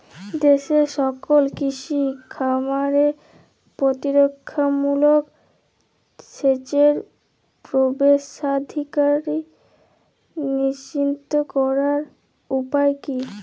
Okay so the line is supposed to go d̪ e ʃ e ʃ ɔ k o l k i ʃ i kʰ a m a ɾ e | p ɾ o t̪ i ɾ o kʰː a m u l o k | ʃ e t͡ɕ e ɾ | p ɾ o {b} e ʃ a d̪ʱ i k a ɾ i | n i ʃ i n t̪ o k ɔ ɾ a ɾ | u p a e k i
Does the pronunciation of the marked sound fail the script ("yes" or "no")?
no